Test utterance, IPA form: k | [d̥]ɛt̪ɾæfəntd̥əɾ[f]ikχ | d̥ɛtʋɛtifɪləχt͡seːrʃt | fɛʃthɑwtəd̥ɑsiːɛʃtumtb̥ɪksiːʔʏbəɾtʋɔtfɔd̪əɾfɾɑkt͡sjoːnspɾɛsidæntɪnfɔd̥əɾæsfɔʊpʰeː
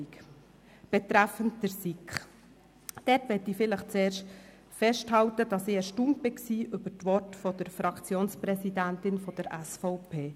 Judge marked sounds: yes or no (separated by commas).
no, no